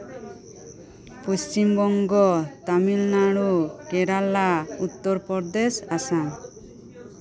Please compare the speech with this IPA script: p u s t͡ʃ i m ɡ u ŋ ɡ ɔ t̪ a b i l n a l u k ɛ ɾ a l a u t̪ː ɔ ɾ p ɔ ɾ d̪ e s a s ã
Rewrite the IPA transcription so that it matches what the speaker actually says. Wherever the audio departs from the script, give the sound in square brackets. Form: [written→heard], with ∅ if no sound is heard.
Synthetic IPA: p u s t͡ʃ i m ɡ [u→ɔ] ŋ ɡ ɔ t̪ a [b→m] i l n a [l→ɽ] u k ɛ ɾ a l a u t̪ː ɔ ɾ p ɔ ɾ d̪ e s a s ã

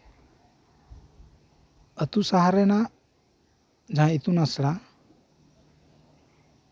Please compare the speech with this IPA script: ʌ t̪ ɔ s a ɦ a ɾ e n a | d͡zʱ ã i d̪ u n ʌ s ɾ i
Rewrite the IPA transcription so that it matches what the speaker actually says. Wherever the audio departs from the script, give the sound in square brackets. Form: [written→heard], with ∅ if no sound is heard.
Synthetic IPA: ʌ t̪ [ɔ→u] s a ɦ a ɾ e n a | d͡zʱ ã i [d̪→t̪] u n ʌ s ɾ [i→a]

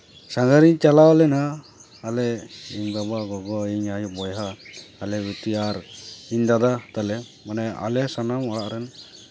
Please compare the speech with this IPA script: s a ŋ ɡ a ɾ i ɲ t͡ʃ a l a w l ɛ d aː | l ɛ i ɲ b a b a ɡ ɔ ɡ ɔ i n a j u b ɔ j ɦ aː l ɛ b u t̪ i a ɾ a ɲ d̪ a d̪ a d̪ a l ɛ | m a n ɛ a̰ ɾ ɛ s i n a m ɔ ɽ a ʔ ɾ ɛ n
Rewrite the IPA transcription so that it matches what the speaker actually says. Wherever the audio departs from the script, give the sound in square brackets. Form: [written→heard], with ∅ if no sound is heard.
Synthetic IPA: s a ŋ ɡ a ɾ i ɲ t͡ʃ a l a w l ɛ [d→n] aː | l ɛ i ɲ b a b a ɡ ɔ ɡ ɔ i [n→ɲ] a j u b ɔ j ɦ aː l ɛ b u t̪ i a ɾ [a→i] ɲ d̪ a d̪ a [d̪→t̪] a l ɛ | m a n ɛ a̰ [ɾ→l] ɛ s [i→a] n a m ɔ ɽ a ʔ ɾ ɛ n

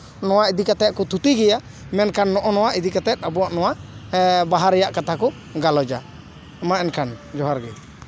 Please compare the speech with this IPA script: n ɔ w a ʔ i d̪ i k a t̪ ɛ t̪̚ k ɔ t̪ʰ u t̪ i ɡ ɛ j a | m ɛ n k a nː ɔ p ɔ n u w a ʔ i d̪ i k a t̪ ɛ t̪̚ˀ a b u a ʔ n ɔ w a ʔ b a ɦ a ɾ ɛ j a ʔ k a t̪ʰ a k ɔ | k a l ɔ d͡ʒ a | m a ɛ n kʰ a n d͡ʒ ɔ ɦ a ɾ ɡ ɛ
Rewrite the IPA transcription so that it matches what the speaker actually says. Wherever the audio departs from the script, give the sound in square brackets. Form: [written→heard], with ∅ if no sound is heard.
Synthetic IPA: n ɔ w a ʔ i d̪ i k a t̪ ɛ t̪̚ k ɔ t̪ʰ u t̪ i ɡ ɛ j a | m ɛ n k a nː ɔ [p→ʔ] ɔ n [u→ɔ] w a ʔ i d̪ i k a t̪ ɛ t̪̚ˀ a b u a ʔ n ɔ w a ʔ b a ɦ a ɾ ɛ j a ʔ k a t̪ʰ a k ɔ | [k→ɡ] a l ɔ d͡ʒ a | m a ɛ n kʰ a n d͡ʒ ɔ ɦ a ɾ ɡ ɛ

